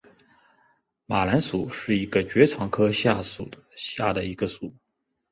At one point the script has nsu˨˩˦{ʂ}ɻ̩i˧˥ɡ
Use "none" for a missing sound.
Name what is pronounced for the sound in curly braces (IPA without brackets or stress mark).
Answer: ʂ